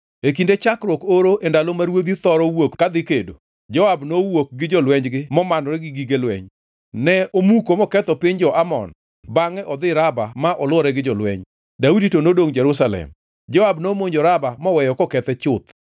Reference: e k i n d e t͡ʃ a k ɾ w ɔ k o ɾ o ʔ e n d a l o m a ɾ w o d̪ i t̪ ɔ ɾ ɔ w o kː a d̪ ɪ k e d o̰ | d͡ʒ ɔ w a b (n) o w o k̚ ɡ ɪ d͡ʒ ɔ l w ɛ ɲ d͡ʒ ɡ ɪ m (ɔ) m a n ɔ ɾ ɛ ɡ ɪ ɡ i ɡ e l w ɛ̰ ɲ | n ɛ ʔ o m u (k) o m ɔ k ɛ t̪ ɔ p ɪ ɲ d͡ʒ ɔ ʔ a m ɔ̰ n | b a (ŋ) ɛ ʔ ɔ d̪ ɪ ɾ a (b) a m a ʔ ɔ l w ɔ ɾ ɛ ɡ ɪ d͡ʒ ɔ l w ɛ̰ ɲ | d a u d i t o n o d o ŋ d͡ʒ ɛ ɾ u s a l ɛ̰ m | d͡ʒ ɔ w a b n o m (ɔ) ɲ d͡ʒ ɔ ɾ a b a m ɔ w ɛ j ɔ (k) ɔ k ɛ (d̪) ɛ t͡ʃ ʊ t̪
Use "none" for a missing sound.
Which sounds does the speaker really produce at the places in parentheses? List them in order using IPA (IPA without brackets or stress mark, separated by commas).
n, ɔ, k, ŋ, b, o, k, t̪